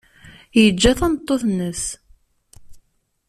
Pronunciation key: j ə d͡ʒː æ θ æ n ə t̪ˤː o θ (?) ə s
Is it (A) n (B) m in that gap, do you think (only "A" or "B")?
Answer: A